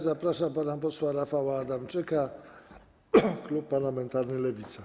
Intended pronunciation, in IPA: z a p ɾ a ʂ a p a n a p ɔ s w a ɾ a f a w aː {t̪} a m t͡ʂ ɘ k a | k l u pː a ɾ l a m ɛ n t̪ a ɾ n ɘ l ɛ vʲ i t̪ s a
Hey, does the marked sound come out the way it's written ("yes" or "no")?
no